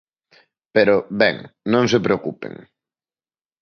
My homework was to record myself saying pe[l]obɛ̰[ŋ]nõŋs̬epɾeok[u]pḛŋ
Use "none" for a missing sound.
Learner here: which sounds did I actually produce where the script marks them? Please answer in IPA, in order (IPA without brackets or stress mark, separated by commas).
ɾ, ŋ, u